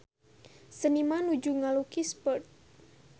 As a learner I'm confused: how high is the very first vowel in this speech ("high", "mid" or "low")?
mid